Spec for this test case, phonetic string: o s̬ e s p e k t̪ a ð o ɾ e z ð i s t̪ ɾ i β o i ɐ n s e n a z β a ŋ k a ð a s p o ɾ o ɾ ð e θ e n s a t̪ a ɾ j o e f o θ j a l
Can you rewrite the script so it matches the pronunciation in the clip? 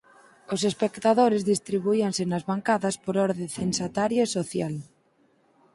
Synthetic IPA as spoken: o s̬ e s p e k t̪ a ð o ɾ e z ð i s t̪ ɾ i β u i a n s e n a z β a ŋ k a ð a s p o ɾ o ɾ ð e θ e n s a t̪ a ɾ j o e s o θ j a l